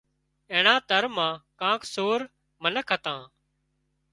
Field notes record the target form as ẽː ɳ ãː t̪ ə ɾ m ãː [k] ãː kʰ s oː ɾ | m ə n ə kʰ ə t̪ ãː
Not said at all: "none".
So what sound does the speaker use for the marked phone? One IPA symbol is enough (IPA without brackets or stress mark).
k